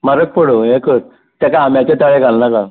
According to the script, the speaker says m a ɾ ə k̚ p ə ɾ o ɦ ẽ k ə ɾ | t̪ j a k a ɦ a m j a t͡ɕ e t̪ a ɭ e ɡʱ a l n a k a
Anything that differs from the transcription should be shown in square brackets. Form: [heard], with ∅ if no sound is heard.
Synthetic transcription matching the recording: m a ɾ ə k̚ p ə [ɽ] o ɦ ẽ k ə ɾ | t̪ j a k a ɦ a m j a t͡ɕ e t̪ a ɭ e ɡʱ a l n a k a